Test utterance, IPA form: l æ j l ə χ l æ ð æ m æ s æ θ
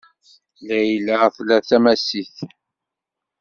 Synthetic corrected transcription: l æ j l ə θ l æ θ æ m æ s i θ